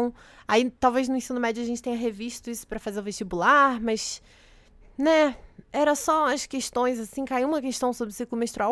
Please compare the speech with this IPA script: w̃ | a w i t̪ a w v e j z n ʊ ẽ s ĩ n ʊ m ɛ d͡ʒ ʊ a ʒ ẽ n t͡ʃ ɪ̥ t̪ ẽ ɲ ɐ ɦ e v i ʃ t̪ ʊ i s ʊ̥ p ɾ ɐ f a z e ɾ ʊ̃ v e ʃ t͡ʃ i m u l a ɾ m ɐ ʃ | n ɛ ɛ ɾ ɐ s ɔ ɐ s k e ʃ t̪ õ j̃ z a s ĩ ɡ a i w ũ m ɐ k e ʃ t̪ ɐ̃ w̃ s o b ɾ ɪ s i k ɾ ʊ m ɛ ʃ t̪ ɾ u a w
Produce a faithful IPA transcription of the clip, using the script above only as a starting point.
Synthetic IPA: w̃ | a i t̪ a w v e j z n ʊ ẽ s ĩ n ʊ m ɛ d͡ʒ ʊ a ʒ ẽ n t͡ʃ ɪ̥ t̪ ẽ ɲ ɐ ɦ e v i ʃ t̪ ʊ i s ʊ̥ p ɾ ɐ f a z e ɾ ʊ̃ v e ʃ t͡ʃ i b u l a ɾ m ɐ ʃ | n ɛ ɛ ɾ ɐ s ɔ ɐ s k e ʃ t̪ õ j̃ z a s ĩ k a i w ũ m ɐ k e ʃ t̪ ɐ̃ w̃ s o b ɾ ɪ s i k l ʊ m e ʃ t̪ ɾ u a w